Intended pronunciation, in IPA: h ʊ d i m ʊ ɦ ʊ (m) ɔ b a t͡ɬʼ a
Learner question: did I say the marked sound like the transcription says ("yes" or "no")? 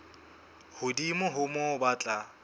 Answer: yes